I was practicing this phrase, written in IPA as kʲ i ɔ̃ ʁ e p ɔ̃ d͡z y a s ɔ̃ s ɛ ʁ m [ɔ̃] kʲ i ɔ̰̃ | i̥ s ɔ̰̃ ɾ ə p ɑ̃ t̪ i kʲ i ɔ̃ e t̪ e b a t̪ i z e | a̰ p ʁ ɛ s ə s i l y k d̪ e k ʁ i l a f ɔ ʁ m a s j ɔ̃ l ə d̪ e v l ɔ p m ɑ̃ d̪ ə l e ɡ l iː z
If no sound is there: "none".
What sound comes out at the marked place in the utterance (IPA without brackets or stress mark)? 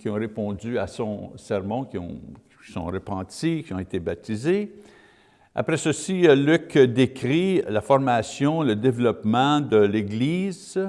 ɔ̃